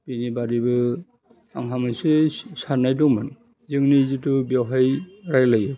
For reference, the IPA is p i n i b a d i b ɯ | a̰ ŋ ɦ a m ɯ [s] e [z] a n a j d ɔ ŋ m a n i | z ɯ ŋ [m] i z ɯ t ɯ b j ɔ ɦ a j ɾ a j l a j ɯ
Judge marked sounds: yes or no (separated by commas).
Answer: yes, no, no